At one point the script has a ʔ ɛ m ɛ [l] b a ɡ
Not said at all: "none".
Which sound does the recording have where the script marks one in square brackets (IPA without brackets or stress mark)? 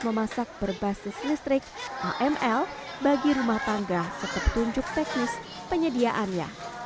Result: l